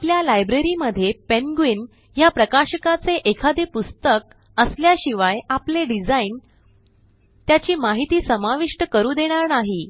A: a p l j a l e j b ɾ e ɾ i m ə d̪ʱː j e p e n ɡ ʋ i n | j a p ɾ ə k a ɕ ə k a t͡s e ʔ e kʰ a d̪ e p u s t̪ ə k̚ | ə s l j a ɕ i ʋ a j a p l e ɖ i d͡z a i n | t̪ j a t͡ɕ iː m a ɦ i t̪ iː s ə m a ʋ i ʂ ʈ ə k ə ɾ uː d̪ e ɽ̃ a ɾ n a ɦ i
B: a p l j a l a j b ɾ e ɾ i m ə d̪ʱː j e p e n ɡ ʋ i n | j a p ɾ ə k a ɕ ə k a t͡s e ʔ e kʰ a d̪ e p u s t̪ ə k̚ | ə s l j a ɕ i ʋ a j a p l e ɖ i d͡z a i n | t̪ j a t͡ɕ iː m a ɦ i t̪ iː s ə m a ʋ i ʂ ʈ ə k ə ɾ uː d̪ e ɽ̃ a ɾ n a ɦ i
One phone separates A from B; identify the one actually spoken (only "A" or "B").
B